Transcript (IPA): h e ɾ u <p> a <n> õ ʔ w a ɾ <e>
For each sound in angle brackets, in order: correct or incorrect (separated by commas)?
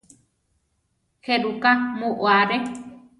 incorrect, incorrect, correct